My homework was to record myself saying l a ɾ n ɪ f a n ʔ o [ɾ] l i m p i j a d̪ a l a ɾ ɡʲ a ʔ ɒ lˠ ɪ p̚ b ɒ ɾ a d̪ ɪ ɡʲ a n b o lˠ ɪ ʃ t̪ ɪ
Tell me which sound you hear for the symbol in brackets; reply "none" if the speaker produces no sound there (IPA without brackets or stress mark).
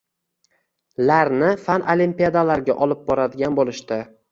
none